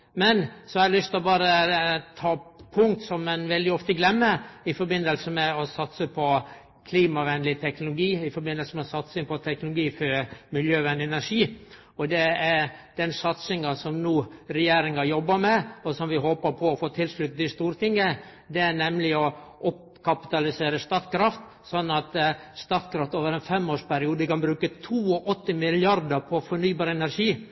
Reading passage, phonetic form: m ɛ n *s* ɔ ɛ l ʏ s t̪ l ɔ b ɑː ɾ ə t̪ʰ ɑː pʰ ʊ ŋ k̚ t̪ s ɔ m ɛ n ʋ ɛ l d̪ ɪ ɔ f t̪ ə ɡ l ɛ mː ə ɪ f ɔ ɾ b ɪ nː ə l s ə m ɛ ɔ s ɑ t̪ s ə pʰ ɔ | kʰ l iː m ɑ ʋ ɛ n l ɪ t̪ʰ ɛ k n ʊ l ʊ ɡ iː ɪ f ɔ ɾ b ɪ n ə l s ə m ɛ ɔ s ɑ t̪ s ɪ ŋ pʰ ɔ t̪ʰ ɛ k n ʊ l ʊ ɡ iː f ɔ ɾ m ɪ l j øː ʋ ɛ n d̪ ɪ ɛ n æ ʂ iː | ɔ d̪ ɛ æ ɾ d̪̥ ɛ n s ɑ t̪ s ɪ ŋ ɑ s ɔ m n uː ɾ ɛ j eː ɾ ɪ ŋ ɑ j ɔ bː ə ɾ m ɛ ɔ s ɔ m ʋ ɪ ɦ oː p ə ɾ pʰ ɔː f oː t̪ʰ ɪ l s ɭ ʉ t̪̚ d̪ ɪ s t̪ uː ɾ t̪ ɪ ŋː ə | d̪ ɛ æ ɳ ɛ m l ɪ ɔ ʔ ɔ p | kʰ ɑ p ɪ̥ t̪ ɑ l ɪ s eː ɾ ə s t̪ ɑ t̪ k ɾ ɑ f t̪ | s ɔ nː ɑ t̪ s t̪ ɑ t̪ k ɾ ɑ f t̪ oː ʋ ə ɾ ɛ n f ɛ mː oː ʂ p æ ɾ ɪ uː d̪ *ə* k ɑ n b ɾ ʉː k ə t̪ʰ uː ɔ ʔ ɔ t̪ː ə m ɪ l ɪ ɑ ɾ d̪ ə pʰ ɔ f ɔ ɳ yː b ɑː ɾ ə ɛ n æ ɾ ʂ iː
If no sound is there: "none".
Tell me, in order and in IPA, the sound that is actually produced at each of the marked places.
s, ə

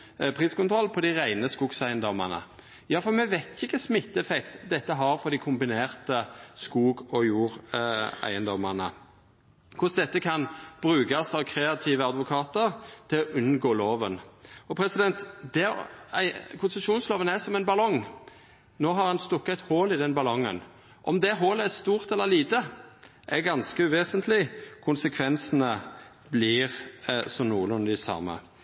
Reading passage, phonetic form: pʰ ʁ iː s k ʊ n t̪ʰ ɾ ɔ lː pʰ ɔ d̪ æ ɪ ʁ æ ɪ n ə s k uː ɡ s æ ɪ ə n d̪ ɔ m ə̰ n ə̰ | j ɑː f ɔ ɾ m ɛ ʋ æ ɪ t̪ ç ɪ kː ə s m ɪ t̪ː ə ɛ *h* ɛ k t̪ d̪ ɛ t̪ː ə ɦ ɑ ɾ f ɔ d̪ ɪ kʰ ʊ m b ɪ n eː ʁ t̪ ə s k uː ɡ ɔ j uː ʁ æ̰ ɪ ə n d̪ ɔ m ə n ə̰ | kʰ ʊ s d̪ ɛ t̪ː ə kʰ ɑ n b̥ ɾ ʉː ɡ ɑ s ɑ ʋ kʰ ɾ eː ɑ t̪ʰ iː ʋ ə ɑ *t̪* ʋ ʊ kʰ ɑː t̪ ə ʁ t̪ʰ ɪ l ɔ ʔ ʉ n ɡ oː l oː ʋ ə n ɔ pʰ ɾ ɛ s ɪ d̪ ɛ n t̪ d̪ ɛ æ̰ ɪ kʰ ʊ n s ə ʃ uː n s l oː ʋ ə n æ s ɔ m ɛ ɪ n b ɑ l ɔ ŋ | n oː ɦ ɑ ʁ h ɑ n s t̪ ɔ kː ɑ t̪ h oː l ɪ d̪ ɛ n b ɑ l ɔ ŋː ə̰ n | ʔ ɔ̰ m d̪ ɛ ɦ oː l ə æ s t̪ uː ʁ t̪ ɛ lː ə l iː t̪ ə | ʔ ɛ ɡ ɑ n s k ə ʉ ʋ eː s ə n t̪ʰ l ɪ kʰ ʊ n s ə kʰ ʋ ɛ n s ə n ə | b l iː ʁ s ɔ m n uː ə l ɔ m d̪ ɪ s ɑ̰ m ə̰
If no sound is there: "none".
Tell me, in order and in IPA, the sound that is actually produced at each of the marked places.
f, d̪

